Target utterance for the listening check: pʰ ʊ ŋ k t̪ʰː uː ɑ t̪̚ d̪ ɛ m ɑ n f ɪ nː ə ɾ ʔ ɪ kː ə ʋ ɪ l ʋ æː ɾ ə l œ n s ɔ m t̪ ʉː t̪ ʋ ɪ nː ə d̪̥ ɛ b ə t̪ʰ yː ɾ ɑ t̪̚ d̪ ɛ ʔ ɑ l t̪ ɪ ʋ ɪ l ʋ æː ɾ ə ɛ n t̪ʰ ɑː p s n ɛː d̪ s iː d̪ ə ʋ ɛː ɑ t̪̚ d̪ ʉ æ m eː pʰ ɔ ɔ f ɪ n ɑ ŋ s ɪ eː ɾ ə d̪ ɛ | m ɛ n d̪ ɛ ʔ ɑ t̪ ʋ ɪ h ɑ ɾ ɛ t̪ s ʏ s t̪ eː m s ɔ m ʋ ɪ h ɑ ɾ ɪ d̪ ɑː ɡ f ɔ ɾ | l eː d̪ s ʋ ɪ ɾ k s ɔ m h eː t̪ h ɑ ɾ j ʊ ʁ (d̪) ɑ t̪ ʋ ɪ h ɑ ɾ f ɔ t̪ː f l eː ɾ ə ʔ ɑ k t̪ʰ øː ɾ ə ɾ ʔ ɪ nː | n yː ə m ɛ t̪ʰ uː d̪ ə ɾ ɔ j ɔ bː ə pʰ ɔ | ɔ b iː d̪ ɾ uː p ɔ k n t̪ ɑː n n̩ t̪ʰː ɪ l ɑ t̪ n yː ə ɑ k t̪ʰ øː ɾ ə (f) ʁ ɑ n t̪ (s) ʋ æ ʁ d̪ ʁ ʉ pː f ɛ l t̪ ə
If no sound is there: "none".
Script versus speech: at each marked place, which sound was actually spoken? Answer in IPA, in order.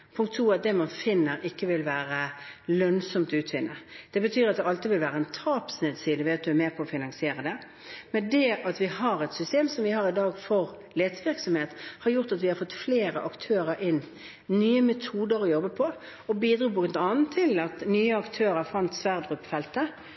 t̪, f, s

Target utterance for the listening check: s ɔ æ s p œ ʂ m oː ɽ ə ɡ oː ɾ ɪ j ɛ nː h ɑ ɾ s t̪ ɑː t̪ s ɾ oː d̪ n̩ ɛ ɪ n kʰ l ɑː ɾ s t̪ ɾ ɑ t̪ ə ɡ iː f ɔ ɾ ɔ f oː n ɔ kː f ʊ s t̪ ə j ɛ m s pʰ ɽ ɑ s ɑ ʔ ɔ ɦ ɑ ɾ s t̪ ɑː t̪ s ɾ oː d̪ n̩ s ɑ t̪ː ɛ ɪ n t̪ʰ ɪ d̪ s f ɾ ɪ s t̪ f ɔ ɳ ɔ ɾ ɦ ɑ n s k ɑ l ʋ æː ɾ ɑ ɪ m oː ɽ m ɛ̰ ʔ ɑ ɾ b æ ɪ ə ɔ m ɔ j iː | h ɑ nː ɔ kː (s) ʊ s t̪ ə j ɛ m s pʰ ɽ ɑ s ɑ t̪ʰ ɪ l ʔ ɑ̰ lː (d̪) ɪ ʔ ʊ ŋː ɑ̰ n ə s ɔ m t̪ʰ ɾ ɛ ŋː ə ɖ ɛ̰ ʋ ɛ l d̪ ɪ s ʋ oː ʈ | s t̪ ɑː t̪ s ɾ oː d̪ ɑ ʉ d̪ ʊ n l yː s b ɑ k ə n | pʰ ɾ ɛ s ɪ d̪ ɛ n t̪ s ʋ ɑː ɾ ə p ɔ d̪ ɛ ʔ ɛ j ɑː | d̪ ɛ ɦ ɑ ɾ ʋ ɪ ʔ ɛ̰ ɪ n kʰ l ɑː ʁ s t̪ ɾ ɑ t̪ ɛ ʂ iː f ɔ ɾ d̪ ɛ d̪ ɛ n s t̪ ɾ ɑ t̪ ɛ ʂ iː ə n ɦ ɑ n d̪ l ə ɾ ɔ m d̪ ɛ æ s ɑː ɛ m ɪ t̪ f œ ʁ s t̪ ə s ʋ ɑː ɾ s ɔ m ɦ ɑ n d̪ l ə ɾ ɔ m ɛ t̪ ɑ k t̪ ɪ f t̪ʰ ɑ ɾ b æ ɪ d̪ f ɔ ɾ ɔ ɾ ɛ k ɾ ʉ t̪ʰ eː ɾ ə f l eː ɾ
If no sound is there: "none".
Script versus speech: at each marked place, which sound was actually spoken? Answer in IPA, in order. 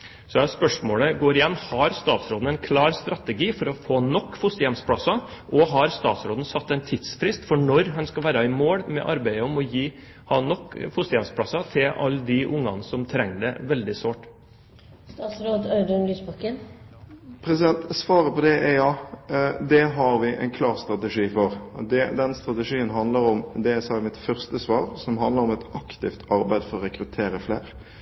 f, d̪

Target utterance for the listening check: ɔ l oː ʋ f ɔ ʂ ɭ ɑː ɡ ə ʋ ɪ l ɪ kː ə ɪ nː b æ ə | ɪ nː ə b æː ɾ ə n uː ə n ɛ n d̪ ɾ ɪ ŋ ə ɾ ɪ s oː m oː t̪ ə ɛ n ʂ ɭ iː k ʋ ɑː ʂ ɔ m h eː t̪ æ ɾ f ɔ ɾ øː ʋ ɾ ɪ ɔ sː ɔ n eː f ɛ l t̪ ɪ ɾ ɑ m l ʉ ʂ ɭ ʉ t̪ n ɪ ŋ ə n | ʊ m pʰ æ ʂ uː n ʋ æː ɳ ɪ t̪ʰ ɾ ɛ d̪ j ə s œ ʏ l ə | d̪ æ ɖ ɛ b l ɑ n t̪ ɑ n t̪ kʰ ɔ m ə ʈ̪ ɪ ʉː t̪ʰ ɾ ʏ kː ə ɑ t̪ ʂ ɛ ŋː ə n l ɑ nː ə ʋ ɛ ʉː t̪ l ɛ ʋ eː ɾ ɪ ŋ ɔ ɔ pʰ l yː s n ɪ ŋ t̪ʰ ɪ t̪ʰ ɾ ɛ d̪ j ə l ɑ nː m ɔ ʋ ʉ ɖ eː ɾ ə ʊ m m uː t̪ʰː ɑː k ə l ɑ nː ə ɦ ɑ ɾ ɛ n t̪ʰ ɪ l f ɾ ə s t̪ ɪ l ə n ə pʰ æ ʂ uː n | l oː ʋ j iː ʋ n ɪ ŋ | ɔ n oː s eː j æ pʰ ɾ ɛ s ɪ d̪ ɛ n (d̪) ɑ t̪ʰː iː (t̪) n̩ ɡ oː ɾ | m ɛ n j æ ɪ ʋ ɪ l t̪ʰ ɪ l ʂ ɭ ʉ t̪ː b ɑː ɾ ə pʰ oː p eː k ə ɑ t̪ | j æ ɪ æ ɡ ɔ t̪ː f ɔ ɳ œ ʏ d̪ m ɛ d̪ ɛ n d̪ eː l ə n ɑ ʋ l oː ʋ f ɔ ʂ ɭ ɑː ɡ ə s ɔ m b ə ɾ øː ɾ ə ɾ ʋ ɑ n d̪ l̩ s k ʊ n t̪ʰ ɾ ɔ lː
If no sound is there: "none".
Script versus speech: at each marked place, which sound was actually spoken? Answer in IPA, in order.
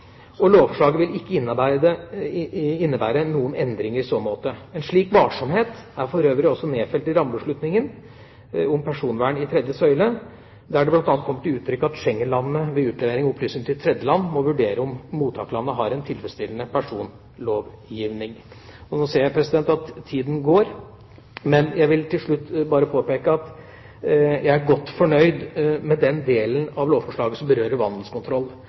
t̪, d̪

